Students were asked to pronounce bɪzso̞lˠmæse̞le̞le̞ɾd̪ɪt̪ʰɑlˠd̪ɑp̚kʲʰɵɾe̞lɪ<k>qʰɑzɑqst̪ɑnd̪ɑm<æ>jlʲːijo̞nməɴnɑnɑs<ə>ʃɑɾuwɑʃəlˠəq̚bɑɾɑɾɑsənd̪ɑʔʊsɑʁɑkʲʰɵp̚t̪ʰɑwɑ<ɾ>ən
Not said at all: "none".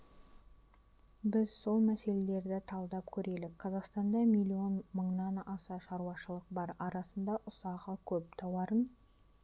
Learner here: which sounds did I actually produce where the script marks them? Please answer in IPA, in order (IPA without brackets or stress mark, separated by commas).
k, i, ɑ, ɾ